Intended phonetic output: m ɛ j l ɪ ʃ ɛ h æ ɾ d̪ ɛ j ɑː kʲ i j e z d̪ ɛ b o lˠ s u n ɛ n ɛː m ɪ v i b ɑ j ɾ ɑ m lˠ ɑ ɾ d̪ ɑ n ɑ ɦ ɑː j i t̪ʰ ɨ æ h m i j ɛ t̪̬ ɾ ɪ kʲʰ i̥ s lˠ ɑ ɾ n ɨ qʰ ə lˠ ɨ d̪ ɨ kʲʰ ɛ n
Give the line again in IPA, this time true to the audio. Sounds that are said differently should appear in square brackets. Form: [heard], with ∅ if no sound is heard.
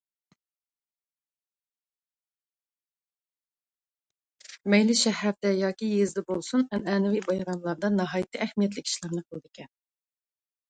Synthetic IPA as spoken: m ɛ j l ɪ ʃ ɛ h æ ɾ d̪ ɛ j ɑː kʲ i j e z d̪ ɛ b o lˠ s u n ɛ n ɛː [n] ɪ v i b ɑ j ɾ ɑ m lˠ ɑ ɾ d̪ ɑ n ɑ ɦ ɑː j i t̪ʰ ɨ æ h m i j ɛ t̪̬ [l] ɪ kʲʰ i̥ [ʃ] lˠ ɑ ɾ n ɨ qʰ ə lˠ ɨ d̪ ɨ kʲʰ ɛ n